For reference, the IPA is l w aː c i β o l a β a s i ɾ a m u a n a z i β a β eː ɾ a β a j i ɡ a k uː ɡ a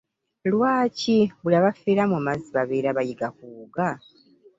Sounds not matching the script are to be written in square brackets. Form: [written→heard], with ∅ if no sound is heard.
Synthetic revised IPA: l w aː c i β [o→u] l a β a [s→f] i ɾ a m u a [n→m] a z i β a β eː ɾ a β a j i ɡ a k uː ɡ a